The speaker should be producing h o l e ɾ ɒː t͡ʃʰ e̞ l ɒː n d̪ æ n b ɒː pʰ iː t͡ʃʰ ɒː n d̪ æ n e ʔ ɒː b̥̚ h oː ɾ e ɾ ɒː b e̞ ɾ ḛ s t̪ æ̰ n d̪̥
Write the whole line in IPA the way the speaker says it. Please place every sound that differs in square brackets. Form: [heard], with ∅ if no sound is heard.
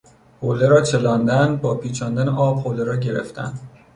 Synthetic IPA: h o l e ɾ ɒː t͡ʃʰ e̞ l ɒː n d̪ æ n b ɒː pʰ iː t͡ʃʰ ɒː n d̪ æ n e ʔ ɒː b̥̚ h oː [l] e ɾ ɒː [ɟ] e̞ ɾ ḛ [f] t̪ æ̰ n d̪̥

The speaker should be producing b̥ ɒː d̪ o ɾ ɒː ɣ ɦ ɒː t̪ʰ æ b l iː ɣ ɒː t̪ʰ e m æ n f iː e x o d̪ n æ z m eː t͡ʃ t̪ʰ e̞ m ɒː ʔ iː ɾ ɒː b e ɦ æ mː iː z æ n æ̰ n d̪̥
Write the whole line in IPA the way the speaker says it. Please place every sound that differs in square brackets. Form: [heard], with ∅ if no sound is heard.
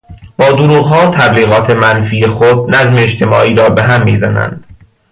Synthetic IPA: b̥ ɒː d̪ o ɾ [uː] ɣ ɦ ɒː t̪ʰ æ b l iː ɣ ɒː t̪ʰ e m æ n f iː e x o d̪ n æ z m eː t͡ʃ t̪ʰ e̞ m ɒː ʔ iː ɾ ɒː b e ɦ æ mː iː z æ n æ̰ n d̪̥

